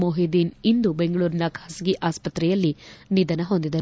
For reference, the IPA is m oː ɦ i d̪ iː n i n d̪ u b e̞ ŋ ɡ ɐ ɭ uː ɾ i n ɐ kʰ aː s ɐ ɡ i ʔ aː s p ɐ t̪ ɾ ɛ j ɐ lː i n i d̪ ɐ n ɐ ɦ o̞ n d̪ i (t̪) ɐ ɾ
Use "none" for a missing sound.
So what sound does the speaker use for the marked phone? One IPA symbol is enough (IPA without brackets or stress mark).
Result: d̪